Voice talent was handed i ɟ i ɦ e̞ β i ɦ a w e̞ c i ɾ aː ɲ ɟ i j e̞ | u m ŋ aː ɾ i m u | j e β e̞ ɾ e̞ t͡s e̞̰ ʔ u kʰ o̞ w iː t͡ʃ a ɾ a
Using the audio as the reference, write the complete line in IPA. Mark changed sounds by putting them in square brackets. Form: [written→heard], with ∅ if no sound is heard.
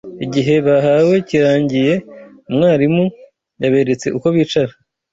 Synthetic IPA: i ɟ i ɦ e̞ β [i→a] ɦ a w e̞ c i ɾ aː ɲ ɟ i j e̞ | u m ŋ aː ɾ i m u | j [e→a] β e̞ ɾ e̞ t͡s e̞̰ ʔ u [kʰ→k] o̞ [w→β] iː t͡ʃ a ɾ a